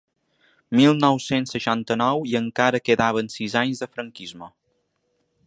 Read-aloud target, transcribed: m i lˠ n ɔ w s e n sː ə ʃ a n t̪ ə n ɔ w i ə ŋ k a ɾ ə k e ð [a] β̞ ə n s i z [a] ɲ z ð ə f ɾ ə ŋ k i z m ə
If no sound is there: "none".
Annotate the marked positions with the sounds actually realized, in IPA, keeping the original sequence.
a, a

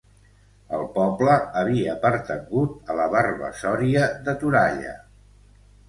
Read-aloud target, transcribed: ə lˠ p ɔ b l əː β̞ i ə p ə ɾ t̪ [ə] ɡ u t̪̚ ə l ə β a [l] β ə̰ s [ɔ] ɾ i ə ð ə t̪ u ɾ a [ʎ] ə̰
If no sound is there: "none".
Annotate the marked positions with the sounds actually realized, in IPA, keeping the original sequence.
ə, r, ɔ, ʎ

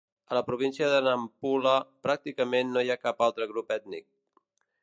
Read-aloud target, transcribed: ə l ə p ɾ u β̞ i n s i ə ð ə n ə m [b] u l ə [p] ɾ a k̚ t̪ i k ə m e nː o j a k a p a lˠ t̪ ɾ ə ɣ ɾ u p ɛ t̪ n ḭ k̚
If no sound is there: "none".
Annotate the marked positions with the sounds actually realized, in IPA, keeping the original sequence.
p, p

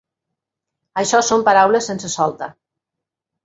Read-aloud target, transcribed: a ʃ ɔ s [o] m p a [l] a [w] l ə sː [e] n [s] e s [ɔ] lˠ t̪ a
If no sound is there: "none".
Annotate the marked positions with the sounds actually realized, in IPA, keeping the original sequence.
o, ɾ, w, e, s, ɔ

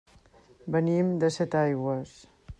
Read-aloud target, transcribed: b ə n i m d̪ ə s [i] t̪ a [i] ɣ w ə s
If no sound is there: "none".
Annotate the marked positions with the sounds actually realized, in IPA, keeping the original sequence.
ɛ, j

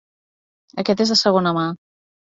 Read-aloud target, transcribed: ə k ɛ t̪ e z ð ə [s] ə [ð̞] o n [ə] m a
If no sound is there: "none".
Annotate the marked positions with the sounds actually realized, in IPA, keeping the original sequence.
s, ɣ̞, ə

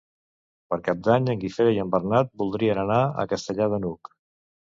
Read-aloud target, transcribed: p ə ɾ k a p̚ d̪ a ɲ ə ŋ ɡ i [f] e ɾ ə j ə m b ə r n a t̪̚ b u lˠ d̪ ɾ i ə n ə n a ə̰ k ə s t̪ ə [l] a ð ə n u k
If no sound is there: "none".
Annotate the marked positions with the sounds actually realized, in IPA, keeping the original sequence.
f, ʎ

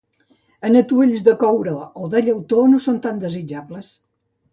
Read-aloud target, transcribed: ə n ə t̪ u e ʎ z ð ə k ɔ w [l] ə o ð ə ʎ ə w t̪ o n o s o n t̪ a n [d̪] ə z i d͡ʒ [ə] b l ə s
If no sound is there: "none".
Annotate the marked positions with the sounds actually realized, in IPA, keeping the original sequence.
ɾ, d̪, a

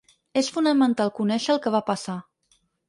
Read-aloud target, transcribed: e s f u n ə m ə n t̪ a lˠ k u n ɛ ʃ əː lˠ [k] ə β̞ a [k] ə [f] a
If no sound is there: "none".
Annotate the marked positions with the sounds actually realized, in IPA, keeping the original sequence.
k, p, s

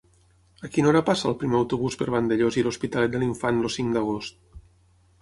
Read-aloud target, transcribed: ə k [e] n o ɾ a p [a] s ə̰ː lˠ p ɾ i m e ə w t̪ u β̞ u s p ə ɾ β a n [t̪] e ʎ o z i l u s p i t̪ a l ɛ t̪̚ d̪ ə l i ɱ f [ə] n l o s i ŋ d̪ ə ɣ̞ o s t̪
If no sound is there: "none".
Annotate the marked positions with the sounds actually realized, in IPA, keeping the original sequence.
i, a, d̪, a

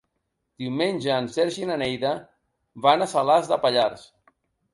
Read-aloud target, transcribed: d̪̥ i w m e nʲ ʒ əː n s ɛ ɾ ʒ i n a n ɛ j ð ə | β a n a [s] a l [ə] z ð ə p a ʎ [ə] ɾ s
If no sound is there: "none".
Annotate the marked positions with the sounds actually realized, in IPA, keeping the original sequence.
s, a, a

